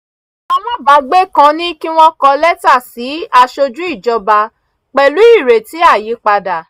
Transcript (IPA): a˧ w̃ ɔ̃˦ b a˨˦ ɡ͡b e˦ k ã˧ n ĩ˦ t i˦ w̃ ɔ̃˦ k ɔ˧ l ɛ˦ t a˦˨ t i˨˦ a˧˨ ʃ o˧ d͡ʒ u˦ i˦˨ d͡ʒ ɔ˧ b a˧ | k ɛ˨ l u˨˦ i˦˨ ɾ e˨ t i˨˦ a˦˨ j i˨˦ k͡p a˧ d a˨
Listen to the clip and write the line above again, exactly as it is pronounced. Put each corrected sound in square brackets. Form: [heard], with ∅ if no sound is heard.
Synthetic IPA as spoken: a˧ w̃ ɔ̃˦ b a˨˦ ɡ͡b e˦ k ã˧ n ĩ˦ [k] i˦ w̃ ɔ̃˦ k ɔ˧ l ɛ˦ t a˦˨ [s] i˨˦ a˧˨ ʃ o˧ d͡ʒ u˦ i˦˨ d͡ʒ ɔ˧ b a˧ | [k͡p] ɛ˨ l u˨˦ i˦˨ ɾ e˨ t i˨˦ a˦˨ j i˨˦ k͡p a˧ d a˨

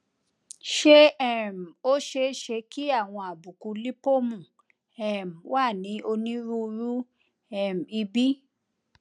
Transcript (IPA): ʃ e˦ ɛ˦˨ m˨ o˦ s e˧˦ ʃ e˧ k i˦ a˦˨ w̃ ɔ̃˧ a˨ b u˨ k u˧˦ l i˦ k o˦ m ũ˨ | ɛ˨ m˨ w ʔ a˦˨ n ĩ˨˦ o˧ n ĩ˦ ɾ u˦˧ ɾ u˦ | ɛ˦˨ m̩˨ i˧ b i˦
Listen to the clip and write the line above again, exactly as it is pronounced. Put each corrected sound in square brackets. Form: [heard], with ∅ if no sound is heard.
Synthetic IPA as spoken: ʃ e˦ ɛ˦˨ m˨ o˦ [ʃ] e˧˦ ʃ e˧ k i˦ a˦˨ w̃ ɔ̃˧ a˨ b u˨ k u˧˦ l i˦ [p] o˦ m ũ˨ | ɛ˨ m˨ w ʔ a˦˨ n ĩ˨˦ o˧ n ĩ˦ ɾ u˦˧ ɾ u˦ | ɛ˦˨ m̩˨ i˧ b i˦

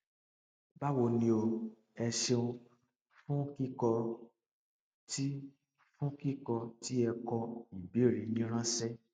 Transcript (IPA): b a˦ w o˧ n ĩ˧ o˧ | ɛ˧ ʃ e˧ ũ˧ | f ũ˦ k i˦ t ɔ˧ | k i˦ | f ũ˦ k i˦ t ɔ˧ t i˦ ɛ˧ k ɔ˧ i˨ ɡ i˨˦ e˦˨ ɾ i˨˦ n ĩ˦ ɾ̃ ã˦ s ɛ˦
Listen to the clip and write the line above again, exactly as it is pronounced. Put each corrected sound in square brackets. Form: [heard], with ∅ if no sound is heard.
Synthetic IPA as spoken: b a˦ w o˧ n ĩ˧ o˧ | ɛ˧ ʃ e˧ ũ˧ | f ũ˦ k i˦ [k] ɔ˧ | [t] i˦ | f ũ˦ k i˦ [k] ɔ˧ t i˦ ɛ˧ k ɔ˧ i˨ [b] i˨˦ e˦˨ ɾ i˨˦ n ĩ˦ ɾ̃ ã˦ s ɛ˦

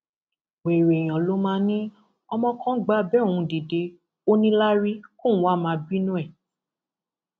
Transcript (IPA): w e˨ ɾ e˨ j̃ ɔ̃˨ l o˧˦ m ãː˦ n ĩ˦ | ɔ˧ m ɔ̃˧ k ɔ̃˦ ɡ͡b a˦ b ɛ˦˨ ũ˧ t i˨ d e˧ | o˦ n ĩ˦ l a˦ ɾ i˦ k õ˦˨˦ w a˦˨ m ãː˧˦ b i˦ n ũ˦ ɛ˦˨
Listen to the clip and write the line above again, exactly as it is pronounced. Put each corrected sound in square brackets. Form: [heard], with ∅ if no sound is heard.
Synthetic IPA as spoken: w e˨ ɾ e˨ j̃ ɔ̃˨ l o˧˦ m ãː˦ n ĩ˦ | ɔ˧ m ɔ̃˧ k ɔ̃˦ ɡ͡b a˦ b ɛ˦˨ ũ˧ [d] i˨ d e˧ | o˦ n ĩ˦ l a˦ ɾ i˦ k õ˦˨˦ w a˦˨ m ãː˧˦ b i˦ n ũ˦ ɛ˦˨

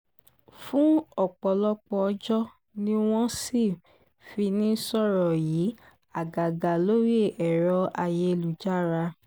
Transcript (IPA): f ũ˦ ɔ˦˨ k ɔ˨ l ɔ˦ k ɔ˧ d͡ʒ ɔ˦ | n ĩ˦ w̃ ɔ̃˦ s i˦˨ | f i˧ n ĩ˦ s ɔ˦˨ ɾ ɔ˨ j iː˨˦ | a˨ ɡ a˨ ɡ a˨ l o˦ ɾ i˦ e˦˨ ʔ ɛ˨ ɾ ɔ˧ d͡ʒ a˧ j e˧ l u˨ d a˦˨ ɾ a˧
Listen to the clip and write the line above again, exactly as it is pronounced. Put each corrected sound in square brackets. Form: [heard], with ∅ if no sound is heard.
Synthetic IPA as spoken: f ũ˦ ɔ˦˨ [k͡p] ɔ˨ l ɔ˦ [k͡p] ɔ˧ d͡ʒ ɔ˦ | n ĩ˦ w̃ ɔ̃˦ s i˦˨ | f i˧ n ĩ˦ s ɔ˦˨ ɾ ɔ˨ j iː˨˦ | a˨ ɡ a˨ ɡ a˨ l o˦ ɾ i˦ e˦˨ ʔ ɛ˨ ɾ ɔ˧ [∅] a˧ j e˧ l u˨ [d͡ʒ] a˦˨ ɾ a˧

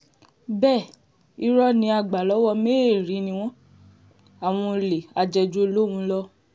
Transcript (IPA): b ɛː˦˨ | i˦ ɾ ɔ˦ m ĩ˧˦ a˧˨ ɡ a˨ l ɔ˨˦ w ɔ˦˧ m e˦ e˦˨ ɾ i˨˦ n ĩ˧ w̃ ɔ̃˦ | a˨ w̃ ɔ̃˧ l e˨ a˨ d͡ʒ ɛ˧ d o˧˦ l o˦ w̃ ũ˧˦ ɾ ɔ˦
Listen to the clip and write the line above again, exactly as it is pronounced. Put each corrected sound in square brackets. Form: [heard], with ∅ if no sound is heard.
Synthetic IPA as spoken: b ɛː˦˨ | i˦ ɾ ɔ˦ [n] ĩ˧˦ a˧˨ [ɡ͡b] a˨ l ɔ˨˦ w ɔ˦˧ m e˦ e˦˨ ɾ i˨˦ n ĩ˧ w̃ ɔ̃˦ | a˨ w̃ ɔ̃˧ l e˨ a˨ d͡ʒ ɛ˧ [d͡ʒ] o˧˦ l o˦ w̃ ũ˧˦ [l] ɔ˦

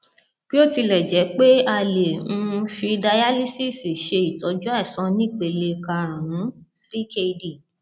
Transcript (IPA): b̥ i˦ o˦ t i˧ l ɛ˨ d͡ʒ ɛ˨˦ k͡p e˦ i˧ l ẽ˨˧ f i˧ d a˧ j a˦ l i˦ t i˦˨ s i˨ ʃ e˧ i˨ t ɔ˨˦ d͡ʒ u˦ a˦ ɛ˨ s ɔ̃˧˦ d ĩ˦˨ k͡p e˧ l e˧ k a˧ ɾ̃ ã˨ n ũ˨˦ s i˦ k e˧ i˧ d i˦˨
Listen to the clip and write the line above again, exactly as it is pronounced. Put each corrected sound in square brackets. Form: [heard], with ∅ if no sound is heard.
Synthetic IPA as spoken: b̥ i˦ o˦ t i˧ l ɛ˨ d͡ʒ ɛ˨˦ k͡p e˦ [a˧] l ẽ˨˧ f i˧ d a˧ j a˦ l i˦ [s] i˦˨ s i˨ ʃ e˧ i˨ t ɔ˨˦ d͡ʒ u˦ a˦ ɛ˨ s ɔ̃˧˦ [n] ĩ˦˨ k͡p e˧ l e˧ k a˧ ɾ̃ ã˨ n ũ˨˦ s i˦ k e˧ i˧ d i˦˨

